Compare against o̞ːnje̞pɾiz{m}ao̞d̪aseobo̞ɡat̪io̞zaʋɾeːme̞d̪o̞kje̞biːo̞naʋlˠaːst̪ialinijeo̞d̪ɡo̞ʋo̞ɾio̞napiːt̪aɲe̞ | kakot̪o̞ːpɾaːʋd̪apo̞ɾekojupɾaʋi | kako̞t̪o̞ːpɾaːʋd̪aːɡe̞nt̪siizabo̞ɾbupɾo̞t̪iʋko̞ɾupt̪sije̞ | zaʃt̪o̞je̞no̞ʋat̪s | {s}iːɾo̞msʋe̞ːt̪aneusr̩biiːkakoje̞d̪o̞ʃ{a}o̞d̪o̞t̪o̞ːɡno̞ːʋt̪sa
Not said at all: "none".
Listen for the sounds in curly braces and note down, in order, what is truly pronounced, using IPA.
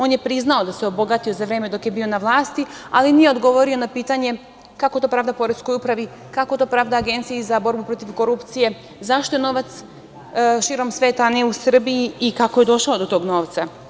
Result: n, ʃ, a

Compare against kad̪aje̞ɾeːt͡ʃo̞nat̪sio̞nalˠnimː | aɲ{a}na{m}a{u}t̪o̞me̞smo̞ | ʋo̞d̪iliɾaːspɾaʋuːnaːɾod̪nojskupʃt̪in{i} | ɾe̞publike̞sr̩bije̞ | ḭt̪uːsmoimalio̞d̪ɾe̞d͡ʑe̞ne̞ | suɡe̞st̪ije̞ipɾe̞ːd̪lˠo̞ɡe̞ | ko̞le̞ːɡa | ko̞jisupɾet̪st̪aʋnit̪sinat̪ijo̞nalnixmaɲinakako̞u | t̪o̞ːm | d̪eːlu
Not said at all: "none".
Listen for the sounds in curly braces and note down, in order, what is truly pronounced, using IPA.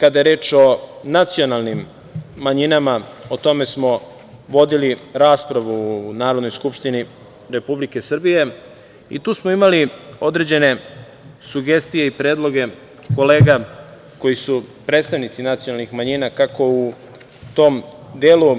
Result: i, m, o, i

